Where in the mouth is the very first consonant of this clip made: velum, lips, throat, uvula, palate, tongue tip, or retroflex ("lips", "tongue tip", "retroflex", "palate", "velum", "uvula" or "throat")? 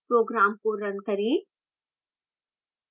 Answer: lips